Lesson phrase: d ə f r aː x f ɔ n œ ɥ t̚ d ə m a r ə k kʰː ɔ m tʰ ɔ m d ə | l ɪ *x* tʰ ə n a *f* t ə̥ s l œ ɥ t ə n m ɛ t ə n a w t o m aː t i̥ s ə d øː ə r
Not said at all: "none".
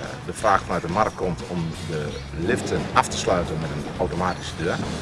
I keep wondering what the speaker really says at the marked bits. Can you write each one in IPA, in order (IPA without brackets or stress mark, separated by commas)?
f, f